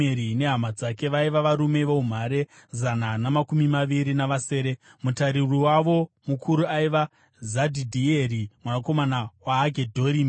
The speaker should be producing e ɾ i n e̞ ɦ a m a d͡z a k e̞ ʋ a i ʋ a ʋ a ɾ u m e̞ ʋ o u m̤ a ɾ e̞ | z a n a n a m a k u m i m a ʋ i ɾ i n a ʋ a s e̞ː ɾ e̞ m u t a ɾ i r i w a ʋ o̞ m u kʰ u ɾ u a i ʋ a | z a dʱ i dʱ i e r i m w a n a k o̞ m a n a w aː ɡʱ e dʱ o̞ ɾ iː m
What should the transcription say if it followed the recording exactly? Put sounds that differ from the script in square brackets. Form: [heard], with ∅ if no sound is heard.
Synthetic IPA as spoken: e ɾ i n e̞ ɦ a m a d͡z a k e̞ ʋ a i ʋ a ʋ a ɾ u m e̞ ʋ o u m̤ a ɾ e̞ | z a n a n a m a k u m i m a ʋ i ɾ i n a ʋ a s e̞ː ɾ e̞ m u t a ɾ i r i w a ʋ o̞ m u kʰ u ɾ u a i ʋ a | z a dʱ i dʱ i e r i m w a n a k o̞ m a n a w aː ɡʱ e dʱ o̞ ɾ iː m